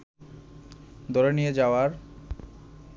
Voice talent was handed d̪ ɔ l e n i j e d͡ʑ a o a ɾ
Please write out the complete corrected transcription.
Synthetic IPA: d̪ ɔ ɾ e n i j e d͡ʑ a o a ɾ